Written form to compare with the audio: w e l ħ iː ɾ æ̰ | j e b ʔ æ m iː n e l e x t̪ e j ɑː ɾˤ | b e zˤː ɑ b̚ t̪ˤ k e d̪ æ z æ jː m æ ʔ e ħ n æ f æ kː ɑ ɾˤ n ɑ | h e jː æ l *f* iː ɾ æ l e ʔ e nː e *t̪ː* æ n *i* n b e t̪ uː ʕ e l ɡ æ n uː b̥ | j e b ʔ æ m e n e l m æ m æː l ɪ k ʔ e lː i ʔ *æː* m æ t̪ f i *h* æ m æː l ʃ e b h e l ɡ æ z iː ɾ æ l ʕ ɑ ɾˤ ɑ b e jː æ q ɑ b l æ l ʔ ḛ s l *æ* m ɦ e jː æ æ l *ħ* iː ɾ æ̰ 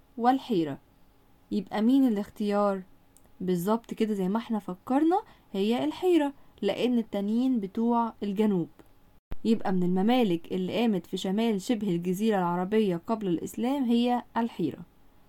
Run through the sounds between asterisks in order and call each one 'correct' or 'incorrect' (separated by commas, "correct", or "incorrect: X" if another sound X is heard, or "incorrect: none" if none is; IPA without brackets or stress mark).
incorrect: ħ, correct, incorrect: iː, correct, incorrect: ʃ, incorrect: æː, correct